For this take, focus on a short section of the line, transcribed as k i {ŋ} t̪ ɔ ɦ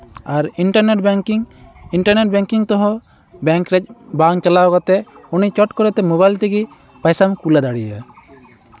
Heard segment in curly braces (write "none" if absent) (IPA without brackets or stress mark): ŋ